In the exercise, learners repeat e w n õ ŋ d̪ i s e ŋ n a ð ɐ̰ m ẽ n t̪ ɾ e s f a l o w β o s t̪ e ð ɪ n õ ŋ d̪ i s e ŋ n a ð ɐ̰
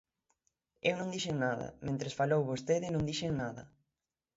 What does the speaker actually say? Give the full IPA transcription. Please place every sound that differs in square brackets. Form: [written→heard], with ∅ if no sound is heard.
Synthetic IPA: e w n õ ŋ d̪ i [s→ʃ] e ŋ n a ð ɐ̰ m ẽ n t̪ ɾ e s f a l o w β o s t̪ e ð ɪ n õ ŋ d̪ i [s→ʃ] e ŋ n a ð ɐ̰